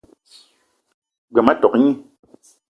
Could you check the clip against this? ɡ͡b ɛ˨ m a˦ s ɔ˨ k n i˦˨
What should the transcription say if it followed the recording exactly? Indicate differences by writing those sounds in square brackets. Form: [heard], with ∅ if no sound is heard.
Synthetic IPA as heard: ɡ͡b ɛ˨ m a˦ [t] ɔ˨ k [ɲ] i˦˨